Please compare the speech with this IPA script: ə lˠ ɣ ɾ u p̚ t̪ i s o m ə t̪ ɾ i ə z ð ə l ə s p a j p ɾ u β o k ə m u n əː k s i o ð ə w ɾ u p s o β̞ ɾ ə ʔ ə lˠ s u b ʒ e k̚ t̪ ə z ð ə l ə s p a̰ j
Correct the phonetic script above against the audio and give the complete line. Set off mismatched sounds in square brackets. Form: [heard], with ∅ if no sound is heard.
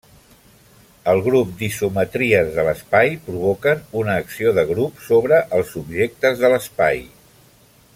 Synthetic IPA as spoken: ə lˠ ɣ ɾ u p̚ [d̪] i s [u] m ə t̪ ɾ i ə z ð ə l ə s p a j p ɾ u β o k ə [n] u n əː k s i o ð ə [ɣ] ɾ u p s o β̞ ɾ ə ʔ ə lˠ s u b ʒ e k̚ t̪ ə z ð ə l ə s p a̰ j